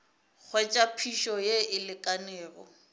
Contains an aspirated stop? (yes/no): yes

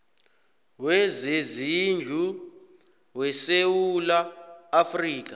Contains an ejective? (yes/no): no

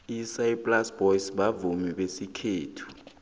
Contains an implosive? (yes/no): yes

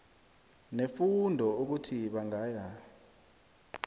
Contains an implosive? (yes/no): yes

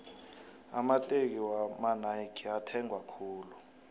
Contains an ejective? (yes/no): yes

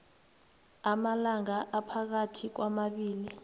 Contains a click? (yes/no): no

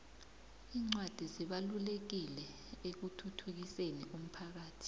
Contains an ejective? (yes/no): no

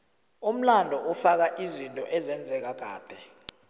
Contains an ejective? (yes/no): yes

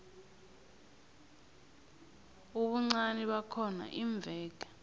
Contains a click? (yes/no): yes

